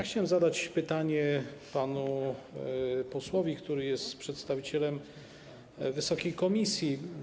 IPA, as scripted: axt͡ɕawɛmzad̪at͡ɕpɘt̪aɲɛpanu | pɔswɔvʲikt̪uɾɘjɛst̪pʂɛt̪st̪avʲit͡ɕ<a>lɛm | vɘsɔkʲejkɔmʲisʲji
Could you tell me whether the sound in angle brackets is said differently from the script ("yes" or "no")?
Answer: yes